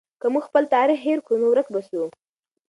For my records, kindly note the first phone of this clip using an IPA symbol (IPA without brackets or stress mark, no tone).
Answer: k